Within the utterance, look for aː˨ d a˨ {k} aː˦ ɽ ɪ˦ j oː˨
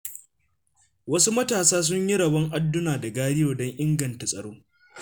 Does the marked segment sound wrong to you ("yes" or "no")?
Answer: yes